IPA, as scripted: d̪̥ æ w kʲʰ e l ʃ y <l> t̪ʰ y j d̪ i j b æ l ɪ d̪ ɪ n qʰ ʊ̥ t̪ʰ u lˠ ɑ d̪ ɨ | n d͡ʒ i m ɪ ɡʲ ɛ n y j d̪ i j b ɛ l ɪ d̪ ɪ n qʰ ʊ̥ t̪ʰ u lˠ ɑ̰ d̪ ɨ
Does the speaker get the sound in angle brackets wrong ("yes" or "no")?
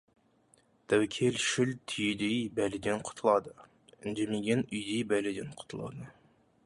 no